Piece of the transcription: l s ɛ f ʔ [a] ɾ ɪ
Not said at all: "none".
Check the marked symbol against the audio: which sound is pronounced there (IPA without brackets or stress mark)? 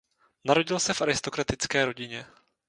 a